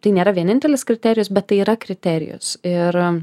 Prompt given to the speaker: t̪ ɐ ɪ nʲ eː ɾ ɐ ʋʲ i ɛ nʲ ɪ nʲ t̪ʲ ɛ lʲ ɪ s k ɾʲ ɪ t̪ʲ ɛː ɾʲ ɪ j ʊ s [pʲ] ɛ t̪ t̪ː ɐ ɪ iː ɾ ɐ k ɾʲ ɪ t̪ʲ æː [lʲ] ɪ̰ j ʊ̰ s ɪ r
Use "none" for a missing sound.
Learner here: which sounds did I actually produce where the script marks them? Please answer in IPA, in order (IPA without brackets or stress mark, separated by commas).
bʲ, ɾʲ